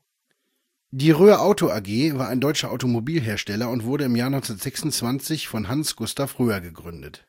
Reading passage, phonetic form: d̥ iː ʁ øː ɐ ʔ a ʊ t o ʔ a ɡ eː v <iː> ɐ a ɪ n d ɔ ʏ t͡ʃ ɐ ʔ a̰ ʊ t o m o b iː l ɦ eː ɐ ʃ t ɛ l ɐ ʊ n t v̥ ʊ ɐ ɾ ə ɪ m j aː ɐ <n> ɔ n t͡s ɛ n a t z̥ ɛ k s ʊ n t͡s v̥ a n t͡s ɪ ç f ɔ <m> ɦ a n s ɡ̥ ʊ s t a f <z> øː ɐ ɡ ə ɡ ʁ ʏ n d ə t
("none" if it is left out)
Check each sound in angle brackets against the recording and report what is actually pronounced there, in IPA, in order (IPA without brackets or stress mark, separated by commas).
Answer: aː, n, n, ʁ